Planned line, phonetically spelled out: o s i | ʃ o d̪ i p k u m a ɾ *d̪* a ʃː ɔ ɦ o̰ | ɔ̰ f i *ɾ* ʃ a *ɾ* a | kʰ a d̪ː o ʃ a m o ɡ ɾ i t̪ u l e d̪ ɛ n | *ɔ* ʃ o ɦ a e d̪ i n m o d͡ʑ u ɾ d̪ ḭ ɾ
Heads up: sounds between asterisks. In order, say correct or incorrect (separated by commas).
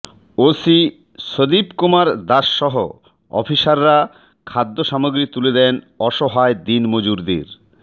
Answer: correct, incorrect, incorrect, correct